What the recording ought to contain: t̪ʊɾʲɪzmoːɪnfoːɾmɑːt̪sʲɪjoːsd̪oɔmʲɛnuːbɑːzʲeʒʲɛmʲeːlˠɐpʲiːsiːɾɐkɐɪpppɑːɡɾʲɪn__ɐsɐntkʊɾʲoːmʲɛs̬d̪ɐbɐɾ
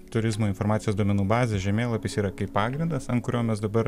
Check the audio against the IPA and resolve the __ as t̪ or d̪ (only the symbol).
d̪